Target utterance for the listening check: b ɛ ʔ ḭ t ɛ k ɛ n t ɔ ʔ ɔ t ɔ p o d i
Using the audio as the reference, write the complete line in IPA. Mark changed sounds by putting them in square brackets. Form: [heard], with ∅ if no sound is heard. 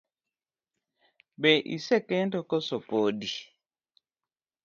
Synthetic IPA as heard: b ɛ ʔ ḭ [s] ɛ k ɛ n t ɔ [k] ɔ [s] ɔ p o d i